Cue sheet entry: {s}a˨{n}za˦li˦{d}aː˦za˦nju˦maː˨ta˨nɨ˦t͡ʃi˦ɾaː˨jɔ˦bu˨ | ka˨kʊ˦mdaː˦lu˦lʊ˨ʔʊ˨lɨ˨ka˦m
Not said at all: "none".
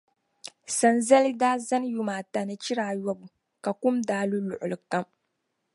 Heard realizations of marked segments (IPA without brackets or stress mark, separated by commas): s, n, d